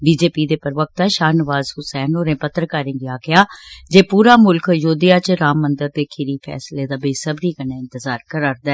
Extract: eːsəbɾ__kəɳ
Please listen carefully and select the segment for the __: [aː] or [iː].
iː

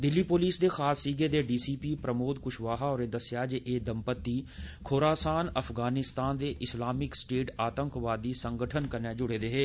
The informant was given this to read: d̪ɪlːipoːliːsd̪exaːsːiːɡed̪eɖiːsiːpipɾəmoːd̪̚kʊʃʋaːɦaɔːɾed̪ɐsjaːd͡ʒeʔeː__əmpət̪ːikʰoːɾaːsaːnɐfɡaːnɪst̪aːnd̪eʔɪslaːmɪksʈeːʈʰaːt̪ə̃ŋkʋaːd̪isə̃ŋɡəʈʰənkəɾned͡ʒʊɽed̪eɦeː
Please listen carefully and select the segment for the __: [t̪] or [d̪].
d̪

